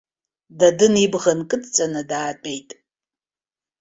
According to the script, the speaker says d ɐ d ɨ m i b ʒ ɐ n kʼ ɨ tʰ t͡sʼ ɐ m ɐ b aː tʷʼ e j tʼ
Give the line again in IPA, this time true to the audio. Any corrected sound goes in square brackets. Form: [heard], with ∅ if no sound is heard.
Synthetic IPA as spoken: d ɐ d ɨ [n] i b [ʁ] ɐ n kʼ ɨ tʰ t͡sʼ ɐ [n] ɐ [d] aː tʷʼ e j tʼ